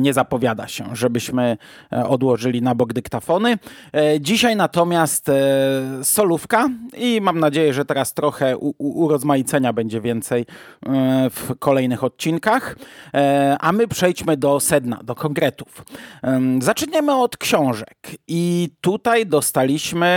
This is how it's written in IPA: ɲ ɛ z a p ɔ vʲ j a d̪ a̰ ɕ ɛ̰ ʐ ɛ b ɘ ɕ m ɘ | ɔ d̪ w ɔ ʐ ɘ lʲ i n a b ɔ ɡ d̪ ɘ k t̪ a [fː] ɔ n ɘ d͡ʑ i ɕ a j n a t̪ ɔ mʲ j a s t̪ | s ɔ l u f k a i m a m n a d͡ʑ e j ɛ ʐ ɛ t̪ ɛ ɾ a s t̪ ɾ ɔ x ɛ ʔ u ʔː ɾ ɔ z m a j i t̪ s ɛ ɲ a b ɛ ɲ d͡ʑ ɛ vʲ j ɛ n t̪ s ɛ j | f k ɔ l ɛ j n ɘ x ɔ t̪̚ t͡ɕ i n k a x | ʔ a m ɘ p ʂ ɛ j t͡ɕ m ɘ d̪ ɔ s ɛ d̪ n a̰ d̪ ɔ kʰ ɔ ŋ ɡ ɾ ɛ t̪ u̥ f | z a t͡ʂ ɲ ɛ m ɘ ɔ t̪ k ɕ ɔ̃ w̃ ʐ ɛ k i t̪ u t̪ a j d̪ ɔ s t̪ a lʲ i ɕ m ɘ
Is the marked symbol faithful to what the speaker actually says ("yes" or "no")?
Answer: no